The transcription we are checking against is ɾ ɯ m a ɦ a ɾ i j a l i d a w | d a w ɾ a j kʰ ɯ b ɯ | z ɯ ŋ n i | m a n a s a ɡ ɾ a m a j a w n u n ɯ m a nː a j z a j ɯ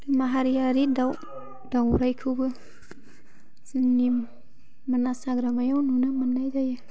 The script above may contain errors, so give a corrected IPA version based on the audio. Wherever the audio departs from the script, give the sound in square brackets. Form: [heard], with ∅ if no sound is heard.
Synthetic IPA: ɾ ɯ m a ɦ a ɾ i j a [ɾ] i d a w | d a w ɾ a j kʰ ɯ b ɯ | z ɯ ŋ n i | m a n a s a ɡ ɾ a m a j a w n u n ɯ m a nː a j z a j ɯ